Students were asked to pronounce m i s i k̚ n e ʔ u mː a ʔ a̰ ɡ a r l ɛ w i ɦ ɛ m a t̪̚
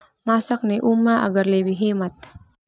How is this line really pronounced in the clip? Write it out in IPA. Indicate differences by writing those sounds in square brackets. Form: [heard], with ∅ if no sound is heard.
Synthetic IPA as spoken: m [a] s [a] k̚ n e ʔ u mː a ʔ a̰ ɡ a r l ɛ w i ɦ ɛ m a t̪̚